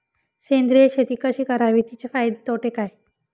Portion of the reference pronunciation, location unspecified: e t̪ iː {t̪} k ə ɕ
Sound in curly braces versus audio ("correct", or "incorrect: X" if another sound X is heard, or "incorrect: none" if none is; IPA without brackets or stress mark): incorrect: none